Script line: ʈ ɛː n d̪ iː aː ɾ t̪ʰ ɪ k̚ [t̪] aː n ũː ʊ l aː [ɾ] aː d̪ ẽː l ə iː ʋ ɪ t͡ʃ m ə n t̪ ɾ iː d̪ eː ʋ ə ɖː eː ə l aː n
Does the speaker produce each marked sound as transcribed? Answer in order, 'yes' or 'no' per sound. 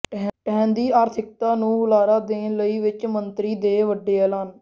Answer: yes, yes

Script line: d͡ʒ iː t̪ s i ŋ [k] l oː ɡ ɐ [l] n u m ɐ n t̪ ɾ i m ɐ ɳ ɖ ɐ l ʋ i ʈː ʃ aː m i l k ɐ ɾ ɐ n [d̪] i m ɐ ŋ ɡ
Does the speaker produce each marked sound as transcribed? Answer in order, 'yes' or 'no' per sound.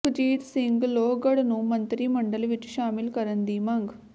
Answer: no, no, yes

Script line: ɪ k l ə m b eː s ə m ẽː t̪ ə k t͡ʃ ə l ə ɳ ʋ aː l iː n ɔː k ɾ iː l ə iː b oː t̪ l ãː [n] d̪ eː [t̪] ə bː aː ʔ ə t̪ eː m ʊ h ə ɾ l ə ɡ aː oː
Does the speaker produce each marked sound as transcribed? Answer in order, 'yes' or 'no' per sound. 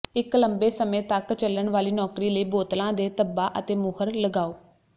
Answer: no, yes

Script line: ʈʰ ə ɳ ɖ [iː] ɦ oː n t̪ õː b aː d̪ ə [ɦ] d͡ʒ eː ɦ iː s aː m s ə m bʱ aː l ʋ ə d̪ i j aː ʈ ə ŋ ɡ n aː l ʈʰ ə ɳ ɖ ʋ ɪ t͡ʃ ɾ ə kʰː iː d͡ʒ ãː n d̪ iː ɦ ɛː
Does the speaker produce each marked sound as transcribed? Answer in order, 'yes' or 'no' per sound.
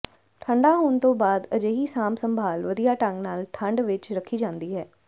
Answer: no, no

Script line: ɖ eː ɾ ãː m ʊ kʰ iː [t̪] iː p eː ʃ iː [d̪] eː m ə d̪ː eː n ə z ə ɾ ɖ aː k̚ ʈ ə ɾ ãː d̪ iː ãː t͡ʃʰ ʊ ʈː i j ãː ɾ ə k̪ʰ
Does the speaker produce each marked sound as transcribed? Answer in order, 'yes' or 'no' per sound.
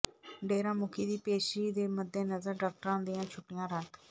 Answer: no, yes

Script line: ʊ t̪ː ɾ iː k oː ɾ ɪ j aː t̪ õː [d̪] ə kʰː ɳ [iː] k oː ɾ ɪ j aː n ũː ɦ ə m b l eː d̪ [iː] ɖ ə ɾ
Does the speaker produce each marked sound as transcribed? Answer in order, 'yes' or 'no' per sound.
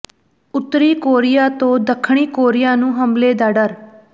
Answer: yes, yes, no

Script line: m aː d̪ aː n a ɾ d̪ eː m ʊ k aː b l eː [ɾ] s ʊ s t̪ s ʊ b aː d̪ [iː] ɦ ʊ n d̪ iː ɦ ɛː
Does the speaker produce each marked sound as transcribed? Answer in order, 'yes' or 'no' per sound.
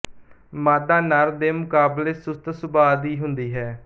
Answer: no, yes

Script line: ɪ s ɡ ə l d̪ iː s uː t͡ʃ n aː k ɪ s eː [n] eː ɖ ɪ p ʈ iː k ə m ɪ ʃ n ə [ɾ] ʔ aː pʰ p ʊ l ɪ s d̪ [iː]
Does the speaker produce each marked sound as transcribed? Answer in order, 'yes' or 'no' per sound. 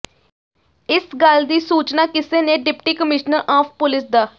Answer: yes, yes, no

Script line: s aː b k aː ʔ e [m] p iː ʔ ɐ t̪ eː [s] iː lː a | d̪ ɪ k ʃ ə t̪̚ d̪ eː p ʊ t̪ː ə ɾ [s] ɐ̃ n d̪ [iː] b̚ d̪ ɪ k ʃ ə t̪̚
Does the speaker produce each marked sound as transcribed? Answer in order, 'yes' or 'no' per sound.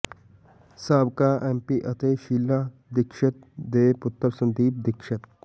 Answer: yes, no, yes, yes

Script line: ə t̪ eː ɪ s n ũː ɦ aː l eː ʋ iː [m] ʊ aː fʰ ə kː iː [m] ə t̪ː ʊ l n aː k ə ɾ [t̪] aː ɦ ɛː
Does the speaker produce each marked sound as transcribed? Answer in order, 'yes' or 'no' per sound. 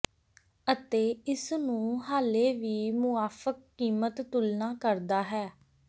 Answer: yes, yes, no

